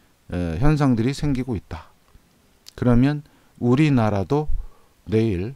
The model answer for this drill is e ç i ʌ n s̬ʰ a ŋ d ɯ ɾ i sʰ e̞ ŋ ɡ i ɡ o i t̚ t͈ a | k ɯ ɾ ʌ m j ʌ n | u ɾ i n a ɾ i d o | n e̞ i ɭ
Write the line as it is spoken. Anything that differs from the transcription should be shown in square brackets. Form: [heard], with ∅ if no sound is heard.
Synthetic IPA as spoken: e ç [j] ʌ n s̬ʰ a ŋ d ɯ ɾ i sʰ e̞ ŋ ɡ i ɡ o i t̚ t͈ a | k ɯ ɾ ʌ m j ʌ n | u ɾ i n a ɾ [a] d o | n e̞ i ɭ